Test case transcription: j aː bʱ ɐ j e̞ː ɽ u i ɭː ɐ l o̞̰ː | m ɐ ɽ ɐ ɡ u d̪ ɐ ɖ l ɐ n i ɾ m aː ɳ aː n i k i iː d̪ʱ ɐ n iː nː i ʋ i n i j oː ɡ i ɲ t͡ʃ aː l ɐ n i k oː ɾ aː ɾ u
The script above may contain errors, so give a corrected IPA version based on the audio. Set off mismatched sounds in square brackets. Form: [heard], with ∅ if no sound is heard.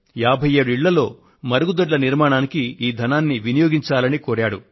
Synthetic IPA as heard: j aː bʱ ɐ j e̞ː ɽ u i ɭː ɐ l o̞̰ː | m ɐ [ɾ] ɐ ɡ u d̪ ɐ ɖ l ɐ n i ɾ m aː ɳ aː n i k i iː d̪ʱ ɐ n [aː] nː i ʋ i n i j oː ɡ i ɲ t͡ʃ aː l ɐ n i k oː ɾ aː [ɽ] u